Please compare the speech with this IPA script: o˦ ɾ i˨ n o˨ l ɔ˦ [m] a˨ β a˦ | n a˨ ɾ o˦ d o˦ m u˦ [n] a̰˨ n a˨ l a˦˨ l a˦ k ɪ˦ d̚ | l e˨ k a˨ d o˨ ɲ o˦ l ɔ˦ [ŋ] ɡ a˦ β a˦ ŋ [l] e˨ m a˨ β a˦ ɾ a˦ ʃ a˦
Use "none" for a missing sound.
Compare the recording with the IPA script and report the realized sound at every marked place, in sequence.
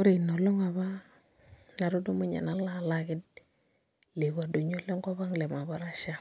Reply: ŋ, ɲ, ŋ, l

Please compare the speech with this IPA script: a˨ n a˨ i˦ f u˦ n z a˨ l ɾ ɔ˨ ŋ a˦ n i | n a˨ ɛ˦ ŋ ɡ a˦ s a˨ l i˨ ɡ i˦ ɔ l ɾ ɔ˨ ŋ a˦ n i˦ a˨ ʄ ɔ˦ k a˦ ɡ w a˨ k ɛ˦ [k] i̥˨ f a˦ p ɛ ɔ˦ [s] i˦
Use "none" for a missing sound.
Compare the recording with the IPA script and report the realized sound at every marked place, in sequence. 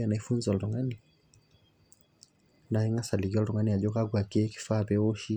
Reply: k, ʃ

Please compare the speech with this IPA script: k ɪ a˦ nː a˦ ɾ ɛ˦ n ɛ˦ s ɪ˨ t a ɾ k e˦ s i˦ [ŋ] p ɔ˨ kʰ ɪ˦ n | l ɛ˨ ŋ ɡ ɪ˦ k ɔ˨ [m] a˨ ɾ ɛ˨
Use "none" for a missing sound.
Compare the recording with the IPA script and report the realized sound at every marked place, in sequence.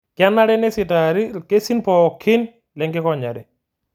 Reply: n, ɲ

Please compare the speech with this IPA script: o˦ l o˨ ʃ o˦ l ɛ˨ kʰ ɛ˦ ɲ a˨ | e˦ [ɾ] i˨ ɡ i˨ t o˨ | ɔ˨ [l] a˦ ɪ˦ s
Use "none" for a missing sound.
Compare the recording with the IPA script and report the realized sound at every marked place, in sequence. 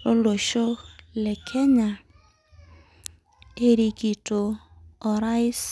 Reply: ɾ, ɾ

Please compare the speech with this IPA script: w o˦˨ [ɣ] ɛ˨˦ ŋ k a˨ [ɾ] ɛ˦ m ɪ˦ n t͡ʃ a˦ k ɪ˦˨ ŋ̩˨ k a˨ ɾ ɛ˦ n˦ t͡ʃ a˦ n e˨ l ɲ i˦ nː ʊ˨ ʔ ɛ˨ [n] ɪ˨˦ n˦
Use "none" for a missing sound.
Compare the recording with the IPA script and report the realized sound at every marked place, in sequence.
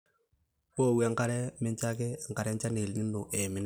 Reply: w, ɾ, m

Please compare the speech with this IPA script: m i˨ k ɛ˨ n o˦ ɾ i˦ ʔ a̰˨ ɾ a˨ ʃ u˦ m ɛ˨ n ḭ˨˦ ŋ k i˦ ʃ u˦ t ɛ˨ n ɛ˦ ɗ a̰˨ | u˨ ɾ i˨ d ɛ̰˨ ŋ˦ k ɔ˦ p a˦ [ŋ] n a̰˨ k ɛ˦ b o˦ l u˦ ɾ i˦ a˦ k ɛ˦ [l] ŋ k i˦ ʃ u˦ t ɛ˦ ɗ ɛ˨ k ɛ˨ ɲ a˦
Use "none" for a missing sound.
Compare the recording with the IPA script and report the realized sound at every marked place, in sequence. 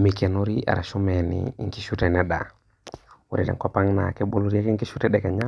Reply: ŋ, none

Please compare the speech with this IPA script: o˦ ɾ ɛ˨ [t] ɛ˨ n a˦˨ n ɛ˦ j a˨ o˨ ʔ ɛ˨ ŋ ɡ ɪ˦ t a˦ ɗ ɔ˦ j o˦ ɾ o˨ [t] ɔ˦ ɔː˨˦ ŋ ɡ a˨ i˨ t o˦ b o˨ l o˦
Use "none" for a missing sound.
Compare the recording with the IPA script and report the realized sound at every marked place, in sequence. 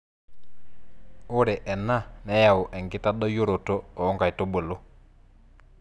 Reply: ʔ, t

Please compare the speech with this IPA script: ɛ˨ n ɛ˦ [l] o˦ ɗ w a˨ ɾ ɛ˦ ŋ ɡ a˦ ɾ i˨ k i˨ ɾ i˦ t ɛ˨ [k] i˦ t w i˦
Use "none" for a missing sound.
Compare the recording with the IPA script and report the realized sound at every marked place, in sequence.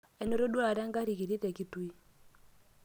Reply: ɾ, k

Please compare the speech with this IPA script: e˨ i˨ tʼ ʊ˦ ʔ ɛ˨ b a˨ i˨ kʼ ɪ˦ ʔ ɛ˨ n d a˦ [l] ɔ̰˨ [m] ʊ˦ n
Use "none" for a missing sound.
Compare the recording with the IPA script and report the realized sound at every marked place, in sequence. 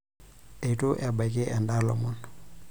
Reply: l, m

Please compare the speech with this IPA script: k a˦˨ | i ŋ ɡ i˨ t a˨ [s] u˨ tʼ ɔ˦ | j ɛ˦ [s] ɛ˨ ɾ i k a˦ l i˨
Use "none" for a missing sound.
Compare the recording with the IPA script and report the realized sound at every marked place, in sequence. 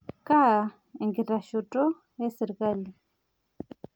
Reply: ʃ, s

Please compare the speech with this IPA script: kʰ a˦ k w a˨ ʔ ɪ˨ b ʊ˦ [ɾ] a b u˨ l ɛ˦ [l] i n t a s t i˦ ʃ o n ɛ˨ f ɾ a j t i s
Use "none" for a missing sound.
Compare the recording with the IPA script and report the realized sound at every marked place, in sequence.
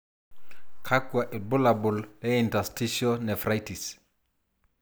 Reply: l, none

